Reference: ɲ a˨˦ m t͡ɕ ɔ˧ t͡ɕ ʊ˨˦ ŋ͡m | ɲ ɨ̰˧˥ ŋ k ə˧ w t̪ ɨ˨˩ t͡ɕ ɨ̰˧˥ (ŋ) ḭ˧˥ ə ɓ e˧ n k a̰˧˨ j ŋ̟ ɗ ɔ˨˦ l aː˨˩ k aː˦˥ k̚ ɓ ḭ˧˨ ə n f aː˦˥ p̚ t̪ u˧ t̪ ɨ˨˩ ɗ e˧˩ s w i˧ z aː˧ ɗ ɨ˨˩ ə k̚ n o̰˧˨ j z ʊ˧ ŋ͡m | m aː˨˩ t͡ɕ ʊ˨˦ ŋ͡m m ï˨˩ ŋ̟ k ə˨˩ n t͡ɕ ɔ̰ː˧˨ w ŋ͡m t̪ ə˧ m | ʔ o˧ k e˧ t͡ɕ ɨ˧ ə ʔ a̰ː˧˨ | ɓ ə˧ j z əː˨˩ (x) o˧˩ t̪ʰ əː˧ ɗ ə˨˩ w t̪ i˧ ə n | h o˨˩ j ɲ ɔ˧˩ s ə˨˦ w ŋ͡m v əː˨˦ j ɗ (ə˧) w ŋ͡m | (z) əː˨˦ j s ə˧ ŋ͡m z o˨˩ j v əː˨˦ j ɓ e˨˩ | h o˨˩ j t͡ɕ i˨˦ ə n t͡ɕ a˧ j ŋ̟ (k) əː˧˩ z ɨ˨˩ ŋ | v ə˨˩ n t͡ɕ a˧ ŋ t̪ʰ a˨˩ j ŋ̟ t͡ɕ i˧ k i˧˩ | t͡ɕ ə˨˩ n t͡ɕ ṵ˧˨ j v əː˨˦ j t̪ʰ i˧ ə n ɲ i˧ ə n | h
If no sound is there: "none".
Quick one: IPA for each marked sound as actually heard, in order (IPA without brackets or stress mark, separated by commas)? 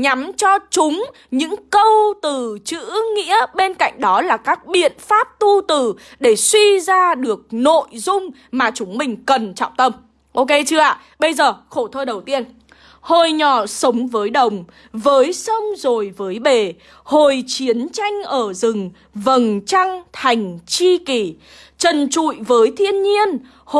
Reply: ŋ, x, ə˨˩, v, ʔ